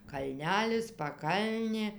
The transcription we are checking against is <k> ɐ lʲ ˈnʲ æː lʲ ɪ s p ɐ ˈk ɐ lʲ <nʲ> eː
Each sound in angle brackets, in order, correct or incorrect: correct, correct

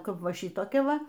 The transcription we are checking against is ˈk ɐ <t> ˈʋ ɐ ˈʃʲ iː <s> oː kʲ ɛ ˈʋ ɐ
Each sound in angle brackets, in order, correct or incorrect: incorrect: p, incorrect: t

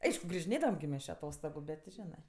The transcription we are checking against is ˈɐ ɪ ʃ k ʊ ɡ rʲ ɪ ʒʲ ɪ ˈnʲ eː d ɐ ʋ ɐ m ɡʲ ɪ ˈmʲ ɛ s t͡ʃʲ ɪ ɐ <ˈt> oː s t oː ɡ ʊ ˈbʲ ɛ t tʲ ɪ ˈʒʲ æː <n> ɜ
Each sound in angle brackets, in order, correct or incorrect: correct, correct

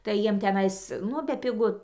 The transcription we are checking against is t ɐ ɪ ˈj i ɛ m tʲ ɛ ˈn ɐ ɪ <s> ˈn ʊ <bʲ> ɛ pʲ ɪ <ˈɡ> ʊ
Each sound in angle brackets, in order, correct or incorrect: correct, correct, correct

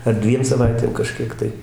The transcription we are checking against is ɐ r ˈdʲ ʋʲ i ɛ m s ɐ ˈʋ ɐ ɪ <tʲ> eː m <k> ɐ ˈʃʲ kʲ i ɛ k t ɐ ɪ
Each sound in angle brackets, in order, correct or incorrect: correct, correct

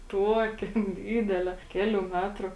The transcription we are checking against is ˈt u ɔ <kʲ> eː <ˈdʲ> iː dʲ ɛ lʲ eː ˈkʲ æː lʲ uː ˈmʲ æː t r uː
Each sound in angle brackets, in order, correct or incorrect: correct, correct

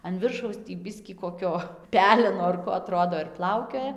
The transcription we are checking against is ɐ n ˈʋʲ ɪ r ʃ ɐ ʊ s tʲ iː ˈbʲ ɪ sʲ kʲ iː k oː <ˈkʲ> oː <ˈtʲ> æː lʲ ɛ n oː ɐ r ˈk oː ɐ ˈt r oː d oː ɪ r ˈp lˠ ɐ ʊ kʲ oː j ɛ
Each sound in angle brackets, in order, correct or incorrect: correct, incorrect: pʲ

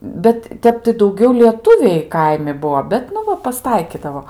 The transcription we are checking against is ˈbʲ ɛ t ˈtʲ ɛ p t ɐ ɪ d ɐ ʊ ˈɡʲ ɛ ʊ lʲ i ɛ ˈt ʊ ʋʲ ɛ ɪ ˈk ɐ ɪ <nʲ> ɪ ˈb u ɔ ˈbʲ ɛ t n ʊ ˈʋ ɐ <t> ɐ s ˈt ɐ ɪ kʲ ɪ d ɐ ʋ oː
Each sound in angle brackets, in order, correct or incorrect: incorrect: mʲ, incorrect: p

